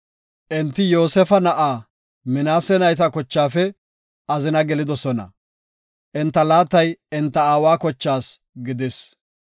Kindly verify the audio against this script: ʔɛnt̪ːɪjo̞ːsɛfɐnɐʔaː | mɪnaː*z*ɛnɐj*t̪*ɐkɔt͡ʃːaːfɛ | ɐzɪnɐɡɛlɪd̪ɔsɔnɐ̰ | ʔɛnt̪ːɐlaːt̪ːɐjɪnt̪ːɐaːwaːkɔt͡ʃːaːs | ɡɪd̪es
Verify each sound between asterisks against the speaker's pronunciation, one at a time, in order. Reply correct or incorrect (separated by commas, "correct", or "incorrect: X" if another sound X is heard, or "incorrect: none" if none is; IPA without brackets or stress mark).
incorrect: s, correct